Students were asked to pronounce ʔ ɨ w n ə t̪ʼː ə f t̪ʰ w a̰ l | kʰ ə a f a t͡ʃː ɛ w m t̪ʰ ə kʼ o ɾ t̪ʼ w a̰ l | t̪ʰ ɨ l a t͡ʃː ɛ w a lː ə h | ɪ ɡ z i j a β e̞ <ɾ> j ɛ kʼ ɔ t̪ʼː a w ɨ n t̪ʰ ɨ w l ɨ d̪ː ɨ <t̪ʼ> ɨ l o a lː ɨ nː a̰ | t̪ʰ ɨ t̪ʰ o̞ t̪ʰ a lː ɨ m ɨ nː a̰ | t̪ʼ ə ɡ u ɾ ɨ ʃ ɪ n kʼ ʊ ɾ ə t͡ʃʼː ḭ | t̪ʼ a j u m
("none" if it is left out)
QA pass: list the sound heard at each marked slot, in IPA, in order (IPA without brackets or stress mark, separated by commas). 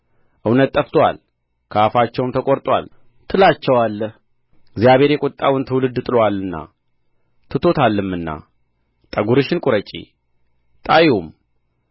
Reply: ɾ, t̪ʼ